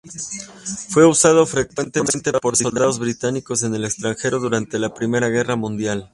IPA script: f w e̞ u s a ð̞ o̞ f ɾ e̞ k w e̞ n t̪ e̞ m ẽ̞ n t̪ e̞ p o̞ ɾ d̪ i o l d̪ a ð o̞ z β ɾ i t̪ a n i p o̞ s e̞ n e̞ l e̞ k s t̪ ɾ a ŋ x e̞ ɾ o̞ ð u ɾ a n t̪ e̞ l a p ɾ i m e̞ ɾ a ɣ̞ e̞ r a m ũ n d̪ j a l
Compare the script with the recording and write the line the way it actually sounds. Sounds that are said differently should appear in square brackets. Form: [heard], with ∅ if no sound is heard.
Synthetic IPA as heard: f w e̞ u s a ð̞ o̞ f ɾ e̞ k w e̞ n t̪ e̞ m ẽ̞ n t̪ e̞ p o̞ ɾ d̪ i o l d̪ a ð o̞ z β ɾ i t̪ a n i [k] o̞ s e̞ n e̞ l e̞ k s t̪ ɾ a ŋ x e̞ ɾ o̞ ð u ɾ a n t̪ e̞ l a p ɾ i m e̞ ɾ a ɣ̞ e̞ r a m ũ n d̪ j a l